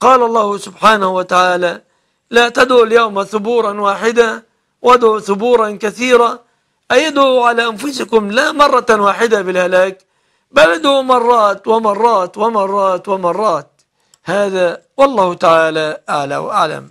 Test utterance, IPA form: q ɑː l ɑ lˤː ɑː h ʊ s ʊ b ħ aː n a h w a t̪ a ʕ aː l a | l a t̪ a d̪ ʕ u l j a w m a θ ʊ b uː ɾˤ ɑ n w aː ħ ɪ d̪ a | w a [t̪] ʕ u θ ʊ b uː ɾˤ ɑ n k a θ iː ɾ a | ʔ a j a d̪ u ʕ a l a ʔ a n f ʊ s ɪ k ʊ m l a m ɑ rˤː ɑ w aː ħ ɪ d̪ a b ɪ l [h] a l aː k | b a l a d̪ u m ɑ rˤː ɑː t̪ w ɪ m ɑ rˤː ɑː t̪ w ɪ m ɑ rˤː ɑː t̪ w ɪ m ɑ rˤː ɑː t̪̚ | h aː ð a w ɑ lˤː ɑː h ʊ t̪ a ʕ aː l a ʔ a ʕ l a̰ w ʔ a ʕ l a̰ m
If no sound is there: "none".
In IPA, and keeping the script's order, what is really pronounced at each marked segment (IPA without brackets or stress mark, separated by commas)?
d̪, h